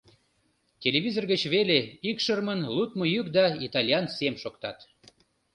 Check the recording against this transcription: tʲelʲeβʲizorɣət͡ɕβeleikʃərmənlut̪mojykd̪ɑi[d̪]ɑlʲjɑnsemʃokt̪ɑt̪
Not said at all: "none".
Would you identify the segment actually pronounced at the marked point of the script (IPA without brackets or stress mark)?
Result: t̪